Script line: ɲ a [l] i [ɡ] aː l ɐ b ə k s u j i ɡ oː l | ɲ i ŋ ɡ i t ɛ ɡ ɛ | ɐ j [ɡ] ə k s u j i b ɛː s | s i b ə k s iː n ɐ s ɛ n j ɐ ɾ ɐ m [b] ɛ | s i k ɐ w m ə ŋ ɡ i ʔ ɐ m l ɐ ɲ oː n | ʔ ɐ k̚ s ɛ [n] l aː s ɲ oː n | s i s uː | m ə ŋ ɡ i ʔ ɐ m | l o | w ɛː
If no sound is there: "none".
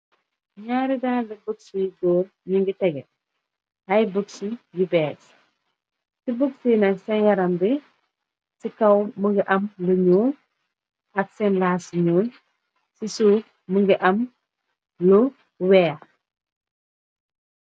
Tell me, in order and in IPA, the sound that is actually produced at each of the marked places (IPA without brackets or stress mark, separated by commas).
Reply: ɾ, d, b, b, n